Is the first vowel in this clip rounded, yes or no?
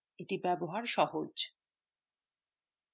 no